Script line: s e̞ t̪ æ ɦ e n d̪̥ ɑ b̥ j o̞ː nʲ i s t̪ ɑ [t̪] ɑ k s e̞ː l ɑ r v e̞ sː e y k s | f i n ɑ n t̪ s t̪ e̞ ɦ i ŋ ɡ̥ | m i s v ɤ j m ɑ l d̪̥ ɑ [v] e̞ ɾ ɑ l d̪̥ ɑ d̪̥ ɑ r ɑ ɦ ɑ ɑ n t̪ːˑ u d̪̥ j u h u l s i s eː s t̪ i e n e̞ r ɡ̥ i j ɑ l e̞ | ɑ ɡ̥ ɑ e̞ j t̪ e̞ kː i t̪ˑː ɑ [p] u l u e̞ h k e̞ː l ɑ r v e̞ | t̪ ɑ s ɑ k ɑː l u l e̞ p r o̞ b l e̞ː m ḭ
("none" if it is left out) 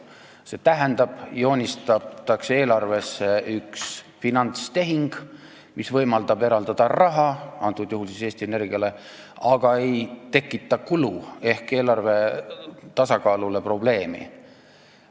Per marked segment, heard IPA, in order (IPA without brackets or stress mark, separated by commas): t̪, b, k